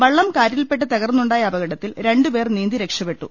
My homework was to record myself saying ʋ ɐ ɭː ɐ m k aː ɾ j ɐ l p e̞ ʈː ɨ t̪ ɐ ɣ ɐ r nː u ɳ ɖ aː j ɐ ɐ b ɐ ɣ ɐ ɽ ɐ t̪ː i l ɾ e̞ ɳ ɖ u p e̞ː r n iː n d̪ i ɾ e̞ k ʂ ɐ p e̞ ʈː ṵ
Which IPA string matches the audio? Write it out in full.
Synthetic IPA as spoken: ʋ ɐ ɭː ɐ m k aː ɾ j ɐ l p e̞ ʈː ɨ t̪ ɐ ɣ ɐ r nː u ɳ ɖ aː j ɐ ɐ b ɐ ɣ ɐ ɽ ɐ t̪ː i l ɾ e̞ ɳ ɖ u p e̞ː r n iː n d̪ i ɾ e̞ k ʂ ɐ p e̞ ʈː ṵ